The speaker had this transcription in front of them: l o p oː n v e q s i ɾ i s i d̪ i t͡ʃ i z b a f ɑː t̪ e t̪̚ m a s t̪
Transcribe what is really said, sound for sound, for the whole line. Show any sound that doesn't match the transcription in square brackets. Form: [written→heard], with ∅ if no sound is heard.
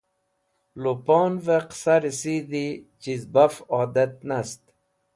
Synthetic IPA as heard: l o p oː n v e q s [i→a] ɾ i s i d̪ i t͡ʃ i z b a f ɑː [t̪→d̪] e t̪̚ [m→n] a s t̪